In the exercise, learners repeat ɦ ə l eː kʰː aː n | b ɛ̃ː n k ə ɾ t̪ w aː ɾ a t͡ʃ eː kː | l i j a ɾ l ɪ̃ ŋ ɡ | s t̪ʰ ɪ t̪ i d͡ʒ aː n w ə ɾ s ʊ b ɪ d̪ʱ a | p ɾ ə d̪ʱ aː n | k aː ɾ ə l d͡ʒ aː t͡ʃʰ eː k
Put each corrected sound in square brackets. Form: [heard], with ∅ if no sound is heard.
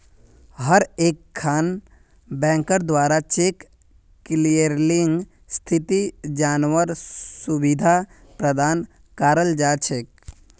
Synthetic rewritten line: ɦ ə [ɾ] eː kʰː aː n | b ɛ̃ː [ŋ] k ə ɾ [d̪] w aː ɾ a t͡ʃ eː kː | l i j [ə] ɾ l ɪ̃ ŋ ɡ | s t̪ʰ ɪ t̪ i d͡ʒ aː n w ə ɾ s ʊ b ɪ d̪ʱ a | p ɾ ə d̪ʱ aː n | k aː ɾ ə l d͡ʒ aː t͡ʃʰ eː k